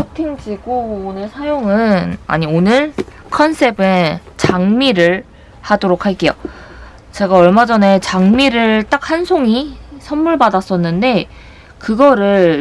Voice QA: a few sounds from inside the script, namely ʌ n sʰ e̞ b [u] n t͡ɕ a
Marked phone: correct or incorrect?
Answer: incorrect